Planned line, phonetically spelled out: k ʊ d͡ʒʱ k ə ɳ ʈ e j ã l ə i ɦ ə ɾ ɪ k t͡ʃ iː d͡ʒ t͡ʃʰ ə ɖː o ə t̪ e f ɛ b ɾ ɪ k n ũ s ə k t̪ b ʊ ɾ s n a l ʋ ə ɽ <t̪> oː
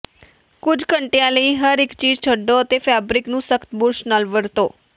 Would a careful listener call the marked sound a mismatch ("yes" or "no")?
no